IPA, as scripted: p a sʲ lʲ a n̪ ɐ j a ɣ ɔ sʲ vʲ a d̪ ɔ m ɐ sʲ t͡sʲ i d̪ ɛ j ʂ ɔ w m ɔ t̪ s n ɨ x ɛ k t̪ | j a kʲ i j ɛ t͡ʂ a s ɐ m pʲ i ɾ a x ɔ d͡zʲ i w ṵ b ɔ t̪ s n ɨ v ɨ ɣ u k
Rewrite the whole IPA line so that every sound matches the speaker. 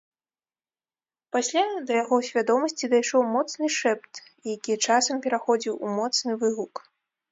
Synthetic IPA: p a sʲ lʲ a d̪ ɐ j a ɣ ɔ sʲ vʲ a d̪ ɔ m ɐ sʲ t͡sʲ i d̪ a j ʂ ɔ w m ɔ t̪ s n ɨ ʂ ɛ p t̪ | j a kʲ i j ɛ t͡ʂ a s ɐ m pʲ ɛ ɾ a x ɔ d͡zʲ i w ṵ m ɔ t̪ s n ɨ v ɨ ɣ u k